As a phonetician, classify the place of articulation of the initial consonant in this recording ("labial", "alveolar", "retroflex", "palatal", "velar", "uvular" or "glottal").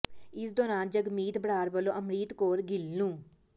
alveolar